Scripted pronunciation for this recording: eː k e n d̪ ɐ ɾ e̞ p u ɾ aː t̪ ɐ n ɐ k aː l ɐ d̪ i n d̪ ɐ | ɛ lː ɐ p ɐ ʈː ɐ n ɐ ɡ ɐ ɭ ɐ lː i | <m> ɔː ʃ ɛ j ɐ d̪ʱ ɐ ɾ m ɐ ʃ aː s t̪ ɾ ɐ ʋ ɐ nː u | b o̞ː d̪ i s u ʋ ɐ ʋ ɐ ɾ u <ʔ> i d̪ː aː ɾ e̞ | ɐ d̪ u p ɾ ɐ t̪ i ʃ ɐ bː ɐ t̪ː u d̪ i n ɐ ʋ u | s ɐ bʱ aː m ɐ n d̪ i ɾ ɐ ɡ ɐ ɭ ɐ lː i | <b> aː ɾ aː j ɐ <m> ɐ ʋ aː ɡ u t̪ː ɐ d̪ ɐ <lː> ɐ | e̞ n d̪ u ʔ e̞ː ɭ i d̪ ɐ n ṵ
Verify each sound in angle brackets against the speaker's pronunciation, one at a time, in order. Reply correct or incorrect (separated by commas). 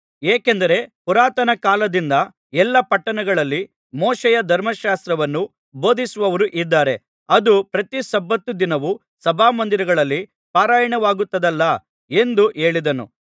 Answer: correct, correct, incorrect, incorrect, correct